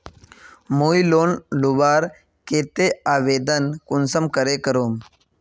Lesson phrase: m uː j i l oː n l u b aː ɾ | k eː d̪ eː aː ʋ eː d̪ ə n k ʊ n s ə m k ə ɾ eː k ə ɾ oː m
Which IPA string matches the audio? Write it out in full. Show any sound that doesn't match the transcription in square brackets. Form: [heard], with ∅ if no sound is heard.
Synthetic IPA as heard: m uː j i l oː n l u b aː ɾ | k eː [t̪] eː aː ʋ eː d̪ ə n k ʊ n s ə m k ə ɾ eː k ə ɾ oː m